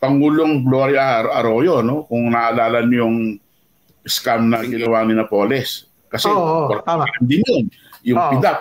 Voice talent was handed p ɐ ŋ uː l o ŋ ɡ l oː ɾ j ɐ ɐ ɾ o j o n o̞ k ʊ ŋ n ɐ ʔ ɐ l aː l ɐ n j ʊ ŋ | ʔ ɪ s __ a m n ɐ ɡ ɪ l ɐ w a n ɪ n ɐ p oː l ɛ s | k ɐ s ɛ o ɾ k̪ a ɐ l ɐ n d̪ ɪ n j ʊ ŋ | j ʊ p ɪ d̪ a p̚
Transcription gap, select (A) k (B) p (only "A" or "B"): A